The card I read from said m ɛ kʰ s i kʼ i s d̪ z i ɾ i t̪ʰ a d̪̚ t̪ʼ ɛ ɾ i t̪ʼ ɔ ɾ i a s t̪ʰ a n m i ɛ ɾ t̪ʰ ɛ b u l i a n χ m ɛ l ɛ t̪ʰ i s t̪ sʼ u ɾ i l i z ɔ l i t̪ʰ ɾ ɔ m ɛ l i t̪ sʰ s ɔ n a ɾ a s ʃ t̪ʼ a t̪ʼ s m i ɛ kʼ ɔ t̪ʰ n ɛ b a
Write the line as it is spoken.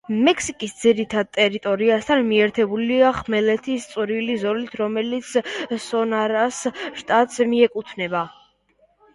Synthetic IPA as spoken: m ɛ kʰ s i kʼ i s d̪ z i ɾ i t̪ʰ a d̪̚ t̪ʼ ɛ ɾ i t̪ʼ ɔ ɾ i a s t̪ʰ a n m i ɛ ɾ t̪ʰ ɛ b u l i a χ m ɛ l ɛ t̪ʰ i s t̪ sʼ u ɾ i l i z ɔ l i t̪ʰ ɾ ɔ m ɛ l i t̪ sʰ s ɔ n a ɾ a s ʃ t̪ʼ a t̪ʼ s m i ɛ kʼ u t̪ʰ n ɛ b a